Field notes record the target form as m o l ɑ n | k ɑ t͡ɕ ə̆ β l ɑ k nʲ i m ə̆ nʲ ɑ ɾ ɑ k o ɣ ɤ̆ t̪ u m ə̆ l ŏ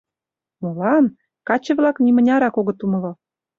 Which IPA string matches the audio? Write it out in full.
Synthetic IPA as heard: m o l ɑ n | k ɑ t͡ɕ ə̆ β l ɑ k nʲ i m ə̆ nʲ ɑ ɾ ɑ k o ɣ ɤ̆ t̪ u m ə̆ l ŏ